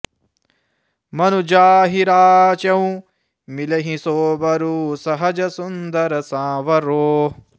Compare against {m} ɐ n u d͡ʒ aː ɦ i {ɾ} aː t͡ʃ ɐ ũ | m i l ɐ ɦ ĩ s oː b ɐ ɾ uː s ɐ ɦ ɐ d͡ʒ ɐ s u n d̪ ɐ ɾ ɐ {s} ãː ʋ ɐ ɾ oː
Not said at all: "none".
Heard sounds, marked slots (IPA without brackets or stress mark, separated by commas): m, ɾ, s